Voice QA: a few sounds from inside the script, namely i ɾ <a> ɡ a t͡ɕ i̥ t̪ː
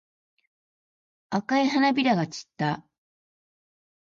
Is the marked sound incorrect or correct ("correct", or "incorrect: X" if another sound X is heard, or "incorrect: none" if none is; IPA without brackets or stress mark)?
correct